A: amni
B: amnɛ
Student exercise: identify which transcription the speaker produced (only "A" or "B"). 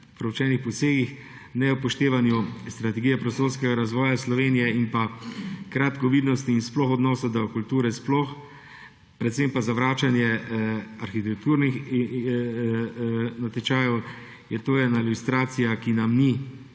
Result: A